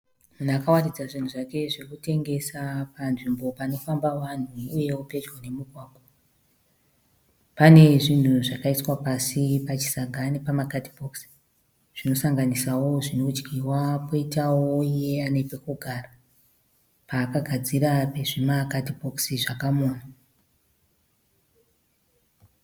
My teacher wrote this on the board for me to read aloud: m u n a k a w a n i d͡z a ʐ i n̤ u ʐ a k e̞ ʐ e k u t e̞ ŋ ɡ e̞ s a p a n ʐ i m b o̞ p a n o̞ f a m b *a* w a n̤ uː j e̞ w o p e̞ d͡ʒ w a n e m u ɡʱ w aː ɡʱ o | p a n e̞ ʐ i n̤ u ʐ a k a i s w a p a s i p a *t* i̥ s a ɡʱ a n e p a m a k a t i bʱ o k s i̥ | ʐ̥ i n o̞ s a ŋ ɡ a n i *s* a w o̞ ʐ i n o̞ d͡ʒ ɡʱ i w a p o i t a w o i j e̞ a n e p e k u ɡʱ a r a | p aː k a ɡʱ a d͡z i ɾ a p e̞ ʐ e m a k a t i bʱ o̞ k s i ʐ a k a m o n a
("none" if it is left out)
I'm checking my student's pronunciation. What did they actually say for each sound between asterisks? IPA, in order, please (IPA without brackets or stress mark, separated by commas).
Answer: a, t͡ʃ, s